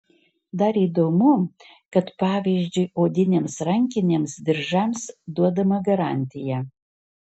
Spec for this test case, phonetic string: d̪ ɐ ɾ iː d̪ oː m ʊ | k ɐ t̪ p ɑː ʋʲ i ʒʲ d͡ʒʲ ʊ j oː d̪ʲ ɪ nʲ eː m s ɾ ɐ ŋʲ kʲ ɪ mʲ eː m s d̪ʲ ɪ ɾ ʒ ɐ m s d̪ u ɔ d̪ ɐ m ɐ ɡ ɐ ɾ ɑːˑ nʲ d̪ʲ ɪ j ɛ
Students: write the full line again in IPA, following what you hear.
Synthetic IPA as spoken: d̪ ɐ ɾ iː d̪ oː m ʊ | k ɐ t̪ p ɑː ʋʲ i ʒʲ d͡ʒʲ ʊ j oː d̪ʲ ɪ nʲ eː m s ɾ ɐ ŋʲ kʲ ɪ nʲ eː m s d̪ʲ ɪ ɾ ʒ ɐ m s d̪ u ɔ d̪ ɐ m ɐ ɡ ɐ ɾ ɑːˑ nʲ t̪ʲ ɪ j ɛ